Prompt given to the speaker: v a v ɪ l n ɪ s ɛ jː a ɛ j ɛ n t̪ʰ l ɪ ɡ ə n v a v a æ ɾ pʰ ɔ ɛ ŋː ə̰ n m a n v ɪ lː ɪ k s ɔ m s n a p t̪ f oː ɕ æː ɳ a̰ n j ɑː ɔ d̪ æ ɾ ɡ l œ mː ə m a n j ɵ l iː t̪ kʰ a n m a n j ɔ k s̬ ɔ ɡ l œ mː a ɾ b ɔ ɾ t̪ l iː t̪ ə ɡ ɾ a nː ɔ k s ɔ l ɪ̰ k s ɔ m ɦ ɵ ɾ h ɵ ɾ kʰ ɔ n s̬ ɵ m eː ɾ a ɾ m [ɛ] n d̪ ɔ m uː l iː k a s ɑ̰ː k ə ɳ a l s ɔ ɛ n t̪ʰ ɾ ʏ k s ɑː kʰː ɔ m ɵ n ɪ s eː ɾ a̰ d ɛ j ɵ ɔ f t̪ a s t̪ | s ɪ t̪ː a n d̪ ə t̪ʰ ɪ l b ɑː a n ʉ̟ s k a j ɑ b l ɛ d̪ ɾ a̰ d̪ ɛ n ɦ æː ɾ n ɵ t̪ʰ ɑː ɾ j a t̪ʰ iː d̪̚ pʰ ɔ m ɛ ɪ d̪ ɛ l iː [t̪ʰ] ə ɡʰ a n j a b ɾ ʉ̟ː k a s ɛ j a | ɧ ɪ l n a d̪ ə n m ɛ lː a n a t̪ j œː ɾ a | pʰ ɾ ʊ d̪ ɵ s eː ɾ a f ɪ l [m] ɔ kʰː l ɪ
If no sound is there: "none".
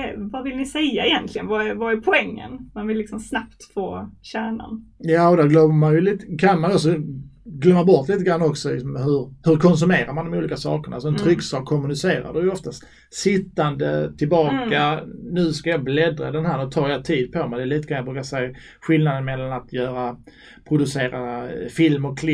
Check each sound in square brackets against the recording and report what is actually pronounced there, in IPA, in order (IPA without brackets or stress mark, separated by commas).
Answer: a, t̪, m